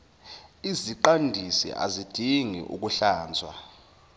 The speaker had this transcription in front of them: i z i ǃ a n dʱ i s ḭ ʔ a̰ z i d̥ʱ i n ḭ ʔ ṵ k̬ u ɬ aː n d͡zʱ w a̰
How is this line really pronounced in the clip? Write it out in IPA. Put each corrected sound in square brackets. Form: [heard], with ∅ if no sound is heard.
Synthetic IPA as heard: i z i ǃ a n dʱ i s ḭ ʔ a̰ z i d̥ʱ i [ŋ] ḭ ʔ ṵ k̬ u ɬ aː n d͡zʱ w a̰